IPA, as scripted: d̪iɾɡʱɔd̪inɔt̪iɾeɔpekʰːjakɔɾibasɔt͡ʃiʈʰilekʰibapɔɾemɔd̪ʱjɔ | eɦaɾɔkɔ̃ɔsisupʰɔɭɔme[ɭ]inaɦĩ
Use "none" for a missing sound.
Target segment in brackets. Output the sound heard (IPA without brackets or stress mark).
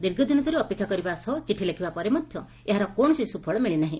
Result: ɭ